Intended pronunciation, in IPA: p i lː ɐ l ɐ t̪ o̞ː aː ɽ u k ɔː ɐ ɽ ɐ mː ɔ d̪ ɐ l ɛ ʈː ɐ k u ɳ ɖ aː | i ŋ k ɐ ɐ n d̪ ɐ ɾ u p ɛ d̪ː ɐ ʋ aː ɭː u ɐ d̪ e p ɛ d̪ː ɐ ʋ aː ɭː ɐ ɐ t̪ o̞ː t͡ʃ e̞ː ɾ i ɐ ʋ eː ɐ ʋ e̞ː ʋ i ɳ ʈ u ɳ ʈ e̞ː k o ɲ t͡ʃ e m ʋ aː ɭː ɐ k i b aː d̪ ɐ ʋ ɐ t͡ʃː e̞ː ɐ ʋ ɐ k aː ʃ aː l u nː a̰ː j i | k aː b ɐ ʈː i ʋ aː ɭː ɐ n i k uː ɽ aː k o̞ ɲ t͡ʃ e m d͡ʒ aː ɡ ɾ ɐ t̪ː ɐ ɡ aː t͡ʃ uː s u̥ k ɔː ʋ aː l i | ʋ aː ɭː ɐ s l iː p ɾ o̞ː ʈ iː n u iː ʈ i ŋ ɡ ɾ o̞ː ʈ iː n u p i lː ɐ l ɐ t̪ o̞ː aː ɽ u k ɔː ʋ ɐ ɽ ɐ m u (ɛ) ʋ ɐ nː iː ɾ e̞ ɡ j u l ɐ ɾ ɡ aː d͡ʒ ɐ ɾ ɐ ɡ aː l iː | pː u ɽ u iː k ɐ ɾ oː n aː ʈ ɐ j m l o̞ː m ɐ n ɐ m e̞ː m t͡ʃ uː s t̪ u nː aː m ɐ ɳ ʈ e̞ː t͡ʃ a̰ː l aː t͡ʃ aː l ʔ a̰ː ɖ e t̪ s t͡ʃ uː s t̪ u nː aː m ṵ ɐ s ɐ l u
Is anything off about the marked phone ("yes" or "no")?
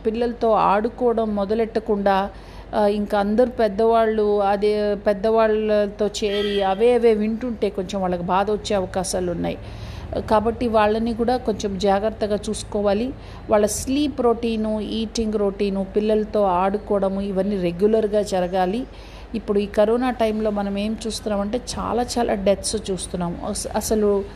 yes